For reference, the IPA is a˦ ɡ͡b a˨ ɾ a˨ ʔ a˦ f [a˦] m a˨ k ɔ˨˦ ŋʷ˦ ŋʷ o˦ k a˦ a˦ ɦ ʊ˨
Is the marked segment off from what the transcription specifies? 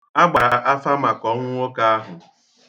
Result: no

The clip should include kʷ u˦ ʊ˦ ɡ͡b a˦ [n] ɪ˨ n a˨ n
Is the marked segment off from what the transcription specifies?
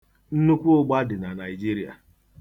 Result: yes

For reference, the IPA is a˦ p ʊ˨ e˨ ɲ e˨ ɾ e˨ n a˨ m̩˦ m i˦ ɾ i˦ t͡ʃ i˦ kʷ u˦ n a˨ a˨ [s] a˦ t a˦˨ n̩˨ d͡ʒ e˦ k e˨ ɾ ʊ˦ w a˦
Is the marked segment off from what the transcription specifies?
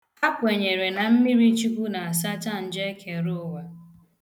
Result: no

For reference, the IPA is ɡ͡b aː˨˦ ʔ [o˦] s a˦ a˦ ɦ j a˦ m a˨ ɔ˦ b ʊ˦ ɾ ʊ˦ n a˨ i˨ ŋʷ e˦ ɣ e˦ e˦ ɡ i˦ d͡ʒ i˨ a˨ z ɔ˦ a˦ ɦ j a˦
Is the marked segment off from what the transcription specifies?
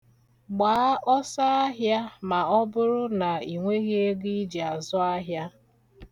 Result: yes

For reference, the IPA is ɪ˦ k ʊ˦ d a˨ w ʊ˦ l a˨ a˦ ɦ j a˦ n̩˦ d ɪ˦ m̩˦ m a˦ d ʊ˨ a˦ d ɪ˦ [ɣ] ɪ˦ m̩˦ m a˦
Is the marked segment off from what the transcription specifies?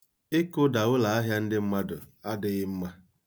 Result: no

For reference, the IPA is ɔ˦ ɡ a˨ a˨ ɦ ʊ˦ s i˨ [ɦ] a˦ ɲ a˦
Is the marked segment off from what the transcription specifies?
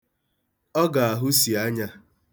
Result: yes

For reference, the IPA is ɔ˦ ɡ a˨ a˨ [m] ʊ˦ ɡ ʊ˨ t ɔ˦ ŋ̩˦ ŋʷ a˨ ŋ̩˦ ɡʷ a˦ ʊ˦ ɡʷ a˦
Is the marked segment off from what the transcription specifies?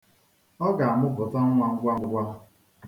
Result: no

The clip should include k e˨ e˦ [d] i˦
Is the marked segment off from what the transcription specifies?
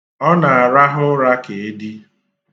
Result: no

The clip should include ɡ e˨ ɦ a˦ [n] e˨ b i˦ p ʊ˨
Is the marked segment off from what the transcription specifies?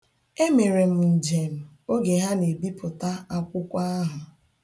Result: no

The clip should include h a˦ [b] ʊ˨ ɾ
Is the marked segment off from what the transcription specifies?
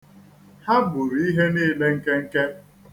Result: no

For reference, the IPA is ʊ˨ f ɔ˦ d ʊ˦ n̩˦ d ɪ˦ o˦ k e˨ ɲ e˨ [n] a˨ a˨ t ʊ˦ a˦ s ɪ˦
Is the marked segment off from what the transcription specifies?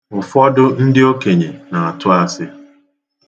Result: no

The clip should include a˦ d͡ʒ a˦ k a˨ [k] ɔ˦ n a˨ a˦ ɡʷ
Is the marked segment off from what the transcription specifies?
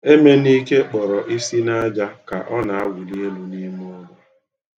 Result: yes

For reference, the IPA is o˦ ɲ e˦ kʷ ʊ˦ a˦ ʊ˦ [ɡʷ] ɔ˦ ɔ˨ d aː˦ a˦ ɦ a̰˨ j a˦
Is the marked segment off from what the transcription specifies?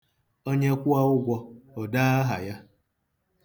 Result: no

